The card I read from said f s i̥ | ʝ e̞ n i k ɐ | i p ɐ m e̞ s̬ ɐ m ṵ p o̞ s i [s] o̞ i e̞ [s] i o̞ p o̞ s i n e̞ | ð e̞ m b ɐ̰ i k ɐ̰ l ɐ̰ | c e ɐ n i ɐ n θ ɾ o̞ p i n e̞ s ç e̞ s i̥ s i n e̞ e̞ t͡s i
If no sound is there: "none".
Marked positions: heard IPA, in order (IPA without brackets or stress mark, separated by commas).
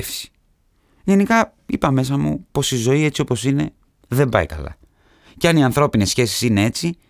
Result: z, t͡s